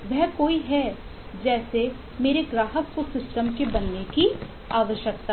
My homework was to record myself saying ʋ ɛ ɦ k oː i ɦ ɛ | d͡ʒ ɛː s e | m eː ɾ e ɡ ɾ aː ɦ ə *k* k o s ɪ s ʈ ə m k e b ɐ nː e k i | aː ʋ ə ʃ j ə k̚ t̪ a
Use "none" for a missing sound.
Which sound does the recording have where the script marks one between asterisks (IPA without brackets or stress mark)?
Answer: k